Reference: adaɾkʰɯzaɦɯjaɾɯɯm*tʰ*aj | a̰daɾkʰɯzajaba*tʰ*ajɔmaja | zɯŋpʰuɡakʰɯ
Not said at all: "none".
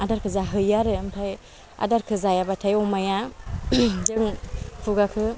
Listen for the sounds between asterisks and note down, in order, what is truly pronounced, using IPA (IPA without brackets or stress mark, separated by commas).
tʰ, tʰ